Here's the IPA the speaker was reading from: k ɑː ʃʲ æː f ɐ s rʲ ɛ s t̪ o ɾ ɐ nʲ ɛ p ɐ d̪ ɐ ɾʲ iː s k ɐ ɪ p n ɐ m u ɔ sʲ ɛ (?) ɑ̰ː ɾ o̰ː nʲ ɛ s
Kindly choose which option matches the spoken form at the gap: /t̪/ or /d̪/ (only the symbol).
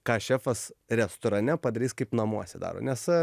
d̪